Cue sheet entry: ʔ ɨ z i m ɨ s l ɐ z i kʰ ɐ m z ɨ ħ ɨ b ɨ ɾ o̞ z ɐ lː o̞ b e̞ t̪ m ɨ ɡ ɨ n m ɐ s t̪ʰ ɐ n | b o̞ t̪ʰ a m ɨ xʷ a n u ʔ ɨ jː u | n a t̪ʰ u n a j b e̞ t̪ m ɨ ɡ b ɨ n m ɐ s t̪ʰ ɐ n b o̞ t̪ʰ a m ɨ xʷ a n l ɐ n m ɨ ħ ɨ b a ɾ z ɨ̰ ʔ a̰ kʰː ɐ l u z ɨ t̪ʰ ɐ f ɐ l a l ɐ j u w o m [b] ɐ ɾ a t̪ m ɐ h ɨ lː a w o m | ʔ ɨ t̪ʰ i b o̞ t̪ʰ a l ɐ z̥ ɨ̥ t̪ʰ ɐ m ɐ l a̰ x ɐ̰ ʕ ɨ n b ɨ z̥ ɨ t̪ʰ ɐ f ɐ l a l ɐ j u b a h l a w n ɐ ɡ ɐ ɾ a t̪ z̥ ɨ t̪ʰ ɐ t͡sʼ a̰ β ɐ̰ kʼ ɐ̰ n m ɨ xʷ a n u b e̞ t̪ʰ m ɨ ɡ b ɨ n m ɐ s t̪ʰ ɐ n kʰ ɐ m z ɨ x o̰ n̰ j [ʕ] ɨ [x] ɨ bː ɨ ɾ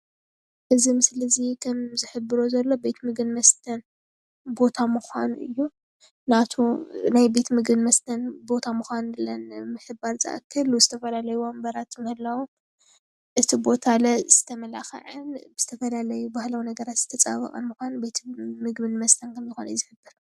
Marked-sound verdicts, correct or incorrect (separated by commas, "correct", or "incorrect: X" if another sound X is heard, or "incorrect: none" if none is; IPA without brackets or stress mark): correct, incorrect: z, incorrect: ħ